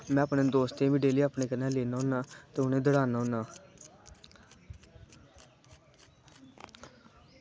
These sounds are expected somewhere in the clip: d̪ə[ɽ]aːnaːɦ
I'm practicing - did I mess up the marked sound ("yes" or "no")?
no